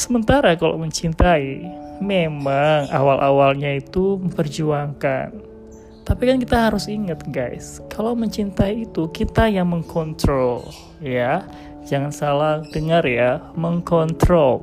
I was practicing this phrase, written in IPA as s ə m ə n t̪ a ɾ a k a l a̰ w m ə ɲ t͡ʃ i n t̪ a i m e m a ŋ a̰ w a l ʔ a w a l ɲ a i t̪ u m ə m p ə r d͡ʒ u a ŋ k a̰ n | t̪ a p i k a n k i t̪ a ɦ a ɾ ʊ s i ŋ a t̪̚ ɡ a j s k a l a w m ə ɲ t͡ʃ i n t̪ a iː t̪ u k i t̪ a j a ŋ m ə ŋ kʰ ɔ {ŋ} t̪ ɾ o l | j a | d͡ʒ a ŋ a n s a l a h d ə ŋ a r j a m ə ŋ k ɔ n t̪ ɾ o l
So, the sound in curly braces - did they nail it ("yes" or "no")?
no